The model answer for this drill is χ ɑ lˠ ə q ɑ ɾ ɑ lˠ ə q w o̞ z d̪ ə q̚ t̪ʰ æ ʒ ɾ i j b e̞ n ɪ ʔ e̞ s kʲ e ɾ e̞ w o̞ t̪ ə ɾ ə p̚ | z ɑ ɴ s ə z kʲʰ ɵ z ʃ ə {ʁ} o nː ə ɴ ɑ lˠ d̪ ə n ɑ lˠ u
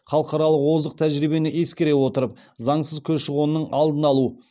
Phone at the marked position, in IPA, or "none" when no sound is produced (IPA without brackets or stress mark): ʁ